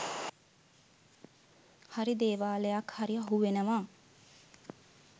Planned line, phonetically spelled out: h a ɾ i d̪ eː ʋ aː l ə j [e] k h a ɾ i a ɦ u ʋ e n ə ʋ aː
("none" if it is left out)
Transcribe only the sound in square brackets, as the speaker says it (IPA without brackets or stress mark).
a